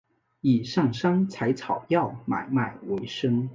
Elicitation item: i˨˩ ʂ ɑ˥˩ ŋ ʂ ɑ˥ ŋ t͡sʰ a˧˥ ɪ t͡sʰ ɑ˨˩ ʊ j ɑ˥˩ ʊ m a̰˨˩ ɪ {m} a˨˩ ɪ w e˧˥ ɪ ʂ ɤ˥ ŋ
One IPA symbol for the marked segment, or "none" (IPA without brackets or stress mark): m